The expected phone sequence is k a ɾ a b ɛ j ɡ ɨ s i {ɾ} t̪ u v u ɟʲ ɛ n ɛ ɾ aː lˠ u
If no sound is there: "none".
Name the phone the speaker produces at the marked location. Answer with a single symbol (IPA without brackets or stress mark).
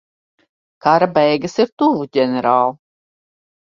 ɾ